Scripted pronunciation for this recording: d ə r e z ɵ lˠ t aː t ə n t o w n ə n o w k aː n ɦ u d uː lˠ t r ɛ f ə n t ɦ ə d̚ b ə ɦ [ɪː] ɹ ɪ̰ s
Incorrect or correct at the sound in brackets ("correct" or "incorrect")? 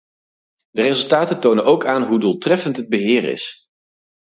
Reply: correct